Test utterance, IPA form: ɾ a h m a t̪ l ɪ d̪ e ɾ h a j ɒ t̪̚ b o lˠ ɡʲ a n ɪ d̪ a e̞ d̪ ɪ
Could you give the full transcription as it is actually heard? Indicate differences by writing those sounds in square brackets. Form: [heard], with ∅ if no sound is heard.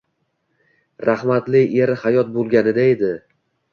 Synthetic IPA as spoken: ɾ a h m a t̪ l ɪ [∅] e ɾ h a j ɒ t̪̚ b o lˠ ɡʲ a n ɪ d̪ a e̞ d̪ ɪ